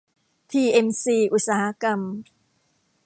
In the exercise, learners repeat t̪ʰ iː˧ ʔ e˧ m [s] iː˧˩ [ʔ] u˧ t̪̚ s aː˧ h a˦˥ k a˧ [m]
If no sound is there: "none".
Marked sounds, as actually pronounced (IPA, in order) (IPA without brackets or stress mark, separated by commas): s, ʔ, m